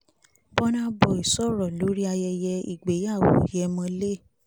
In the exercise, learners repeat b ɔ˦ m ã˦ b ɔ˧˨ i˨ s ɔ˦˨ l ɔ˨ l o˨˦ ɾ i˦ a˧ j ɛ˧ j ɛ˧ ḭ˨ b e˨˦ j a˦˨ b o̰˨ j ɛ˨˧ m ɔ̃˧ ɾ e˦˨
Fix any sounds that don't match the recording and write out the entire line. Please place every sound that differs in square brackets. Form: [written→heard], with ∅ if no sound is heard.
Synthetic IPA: b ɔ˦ [m→n] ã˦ b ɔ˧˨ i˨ s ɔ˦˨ [l→ɾ] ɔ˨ l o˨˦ ɾ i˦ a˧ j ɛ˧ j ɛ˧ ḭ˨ [b→ɡ͡b] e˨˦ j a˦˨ [b→w] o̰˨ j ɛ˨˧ m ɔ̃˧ [ɾ→l] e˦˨